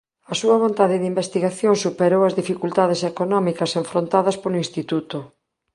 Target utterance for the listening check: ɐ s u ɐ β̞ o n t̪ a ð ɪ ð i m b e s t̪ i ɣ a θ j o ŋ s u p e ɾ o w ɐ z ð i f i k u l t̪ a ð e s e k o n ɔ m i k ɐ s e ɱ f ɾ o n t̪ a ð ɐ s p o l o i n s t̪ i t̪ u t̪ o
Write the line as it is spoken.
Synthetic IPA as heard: ɐ s u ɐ β̞ o n t̪ a ð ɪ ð i m b e s t̪ i ɣ a θ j o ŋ s u p e ɾ o w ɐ z ð i f i k u l t̪ a ð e s e k o n ɔ m i k ɐ s e ɱ f ɾ o n t̪ a ð ɐ s p o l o i n s t̪ i t̪ u t̪ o